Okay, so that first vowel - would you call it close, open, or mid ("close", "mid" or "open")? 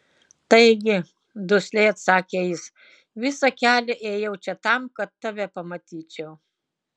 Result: open